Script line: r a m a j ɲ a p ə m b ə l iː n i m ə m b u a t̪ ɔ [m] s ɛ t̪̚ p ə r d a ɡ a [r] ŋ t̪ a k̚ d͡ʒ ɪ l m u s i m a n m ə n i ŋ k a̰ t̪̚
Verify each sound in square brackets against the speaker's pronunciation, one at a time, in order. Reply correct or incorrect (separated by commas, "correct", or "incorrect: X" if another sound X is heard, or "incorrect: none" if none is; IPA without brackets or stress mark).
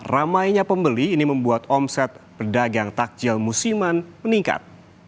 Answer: correct, incorrect: none